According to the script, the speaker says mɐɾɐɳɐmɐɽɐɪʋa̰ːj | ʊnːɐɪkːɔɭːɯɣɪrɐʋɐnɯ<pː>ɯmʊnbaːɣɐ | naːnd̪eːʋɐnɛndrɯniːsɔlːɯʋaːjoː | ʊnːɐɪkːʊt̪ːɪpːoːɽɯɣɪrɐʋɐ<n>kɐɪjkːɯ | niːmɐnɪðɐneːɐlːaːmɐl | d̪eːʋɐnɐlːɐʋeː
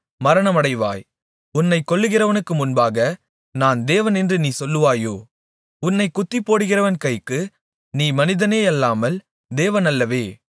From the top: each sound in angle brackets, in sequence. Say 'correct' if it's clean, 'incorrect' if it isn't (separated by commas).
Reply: incorrect, correct